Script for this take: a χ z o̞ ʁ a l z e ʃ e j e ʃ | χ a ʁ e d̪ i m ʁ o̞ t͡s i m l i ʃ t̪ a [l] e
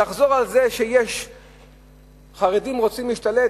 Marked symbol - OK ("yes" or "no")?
yes